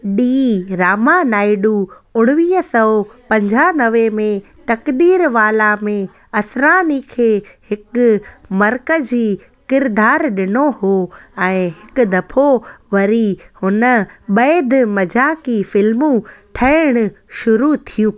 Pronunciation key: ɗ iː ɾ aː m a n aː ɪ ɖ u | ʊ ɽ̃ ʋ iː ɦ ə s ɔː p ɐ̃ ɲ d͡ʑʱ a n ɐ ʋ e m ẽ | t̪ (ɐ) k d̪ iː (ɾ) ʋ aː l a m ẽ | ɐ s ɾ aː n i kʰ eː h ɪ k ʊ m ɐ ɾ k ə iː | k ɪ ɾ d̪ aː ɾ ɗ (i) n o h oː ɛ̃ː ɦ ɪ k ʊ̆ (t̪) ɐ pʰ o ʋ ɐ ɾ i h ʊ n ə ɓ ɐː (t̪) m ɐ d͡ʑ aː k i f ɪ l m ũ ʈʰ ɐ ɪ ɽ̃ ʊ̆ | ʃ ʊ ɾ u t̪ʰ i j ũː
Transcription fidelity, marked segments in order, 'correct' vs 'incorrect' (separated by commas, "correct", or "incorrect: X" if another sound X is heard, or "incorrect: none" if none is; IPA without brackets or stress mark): correct, correct, incorrect: ɪ, incorrect: d̪, incorrect: d̪